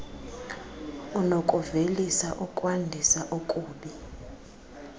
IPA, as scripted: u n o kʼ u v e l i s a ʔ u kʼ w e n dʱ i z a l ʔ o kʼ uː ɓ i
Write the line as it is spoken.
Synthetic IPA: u n o kʼ u v e l i s a ʔ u kʼ w a n dʱ i s a ʔ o kʼ uː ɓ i